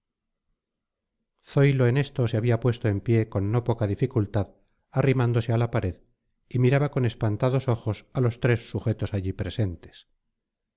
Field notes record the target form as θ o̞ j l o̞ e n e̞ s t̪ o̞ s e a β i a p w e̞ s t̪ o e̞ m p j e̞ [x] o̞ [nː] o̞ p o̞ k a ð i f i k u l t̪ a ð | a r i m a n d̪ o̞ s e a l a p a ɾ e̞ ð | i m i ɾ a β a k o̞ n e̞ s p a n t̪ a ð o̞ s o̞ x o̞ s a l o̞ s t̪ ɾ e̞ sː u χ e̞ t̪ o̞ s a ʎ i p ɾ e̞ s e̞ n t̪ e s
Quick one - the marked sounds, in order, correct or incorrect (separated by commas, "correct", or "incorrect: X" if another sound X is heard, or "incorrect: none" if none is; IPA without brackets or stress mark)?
incorrect: k, correct